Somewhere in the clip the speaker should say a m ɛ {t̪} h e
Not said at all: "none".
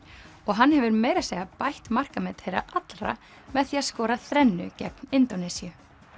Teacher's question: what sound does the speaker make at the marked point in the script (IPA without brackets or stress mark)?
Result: t̪